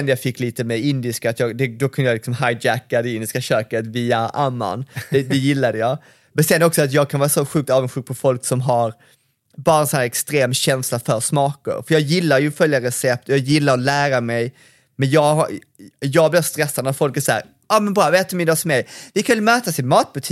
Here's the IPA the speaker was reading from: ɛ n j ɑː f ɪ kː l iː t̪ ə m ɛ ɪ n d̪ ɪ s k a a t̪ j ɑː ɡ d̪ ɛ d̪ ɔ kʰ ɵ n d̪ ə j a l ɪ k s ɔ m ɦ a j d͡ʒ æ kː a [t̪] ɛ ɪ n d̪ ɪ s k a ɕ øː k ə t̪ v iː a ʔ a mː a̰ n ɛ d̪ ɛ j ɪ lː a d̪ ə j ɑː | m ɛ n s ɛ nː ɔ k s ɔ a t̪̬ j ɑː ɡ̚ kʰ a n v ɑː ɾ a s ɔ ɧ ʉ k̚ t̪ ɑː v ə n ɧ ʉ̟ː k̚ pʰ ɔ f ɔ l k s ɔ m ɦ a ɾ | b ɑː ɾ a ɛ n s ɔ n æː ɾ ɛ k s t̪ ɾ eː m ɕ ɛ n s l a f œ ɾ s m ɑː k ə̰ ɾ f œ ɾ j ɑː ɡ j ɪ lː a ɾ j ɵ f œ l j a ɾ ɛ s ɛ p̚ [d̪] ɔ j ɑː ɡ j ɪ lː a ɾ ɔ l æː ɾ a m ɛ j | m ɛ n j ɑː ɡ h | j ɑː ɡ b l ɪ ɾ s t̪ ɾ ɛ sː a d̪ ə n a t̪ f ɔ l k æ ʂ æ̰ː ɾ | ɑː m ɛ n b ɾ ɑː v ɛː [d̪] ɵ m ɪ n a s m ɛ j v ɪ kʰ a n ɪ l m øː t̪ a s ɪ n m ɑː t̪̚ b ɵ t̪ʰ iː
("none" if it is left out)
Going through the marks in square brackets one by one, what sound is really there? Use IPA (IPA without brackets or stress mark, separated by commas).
d̪, t̪, t̪